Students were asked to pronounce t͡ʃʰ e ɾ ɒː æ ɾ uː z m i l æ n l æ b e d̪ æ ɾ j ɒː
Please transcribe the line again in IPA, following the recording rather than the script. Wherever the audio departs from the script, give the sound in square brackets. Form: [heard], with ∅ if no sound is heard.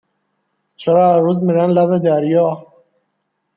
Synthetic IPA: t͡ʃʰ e ɾ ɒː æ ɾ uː z m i [ɾ] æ n l æ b e d̪ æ ɾ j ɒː